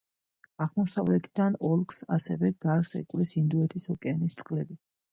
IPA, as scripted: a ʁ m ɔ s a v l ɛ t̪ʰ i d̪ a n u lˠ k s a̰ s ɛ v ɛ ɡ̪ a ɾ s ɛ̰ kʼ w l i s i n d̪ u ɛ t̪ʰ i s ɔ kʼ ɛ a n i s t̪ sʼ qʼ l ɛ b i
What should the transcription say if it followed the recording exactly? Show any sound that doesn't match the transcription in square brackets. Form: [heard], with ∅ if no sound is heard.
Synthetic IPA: a ʁ m ɔ s a v l ɛ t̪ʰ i d̪ a n [ɔ] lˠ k s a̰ s ɛ v ɛ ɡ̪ a ɾ s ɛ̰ kʼ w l i s i n d̪ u ɛ t̪ʰ i s ɔ kʼ ɛ a n i s t̪ sʼ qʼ l ɛ b i